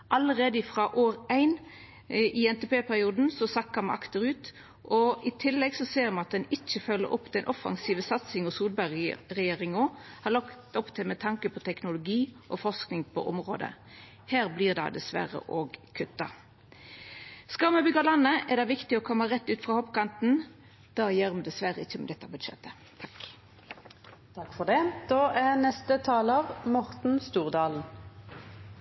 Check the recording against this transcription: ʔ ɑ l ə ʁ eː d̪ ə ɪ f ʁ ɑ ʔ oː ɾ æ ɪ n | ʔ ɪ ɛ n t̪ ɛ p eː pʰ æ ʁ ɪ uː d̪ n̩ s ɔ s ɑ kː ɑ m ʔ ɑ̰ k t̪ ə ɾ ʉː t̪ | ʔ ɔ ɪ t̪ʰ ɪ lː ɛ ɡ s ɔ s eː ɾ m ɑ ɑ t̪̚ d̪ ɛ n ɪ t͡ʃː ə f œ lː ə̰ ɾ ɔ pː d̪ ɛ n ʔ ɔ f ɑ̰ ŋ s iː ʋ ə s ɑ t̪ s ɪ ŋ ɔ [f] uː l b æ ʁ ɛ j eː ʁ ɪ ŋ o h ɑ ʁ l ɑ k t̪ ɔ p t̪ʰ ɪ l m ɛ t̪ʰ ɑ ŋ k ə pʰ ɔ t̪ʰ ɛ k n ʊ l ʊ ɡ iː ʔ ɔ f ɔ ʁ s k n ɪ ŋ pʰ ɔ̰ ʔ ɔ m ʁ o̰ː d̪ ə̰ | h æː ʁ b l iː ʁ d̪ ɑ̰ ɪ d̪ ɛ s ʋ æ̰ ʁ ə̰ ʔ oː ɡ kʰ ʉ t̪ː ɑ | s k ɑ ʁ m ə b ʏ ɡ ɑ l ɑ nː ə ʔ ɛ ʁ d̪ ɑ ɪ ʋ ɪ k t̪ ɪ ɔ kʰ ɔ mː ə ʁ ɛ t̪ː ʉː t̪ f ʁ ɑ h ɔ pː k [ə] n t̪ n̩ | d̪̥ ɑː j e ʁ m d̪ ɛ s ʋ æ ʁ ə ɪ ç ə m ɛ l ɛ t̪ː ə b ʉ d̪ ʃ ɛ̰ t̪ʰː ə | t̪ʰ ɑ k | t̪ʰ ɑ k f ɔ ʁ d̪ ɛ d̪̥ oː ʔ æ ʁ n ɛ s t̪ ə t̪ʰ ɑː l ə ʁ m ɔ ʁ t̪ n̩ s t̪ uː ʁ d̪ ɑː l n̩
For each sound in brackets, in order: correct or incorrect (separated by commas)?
incorrect, incorrect